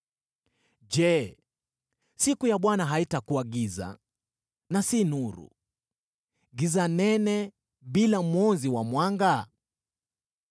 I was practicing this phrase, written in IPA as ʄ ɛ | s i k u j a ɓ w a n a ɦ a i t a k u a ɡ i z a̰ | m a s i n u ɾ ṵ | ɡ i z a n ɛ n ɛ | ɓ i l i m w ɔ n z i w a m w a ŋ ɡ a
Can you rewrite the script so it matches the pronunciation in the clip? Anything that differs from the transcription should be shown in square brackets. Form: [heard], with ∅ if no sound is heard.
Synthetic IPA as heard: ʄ ɛ | s i k u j a ɓ w a n a ɦ a i t a k u a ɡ i z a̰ | [n] a s i n u ɾ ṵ | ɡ i z a n ɛ n ɛ | ɓ i l [a] m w ɔ n z i w a m w a ŋ ɡ a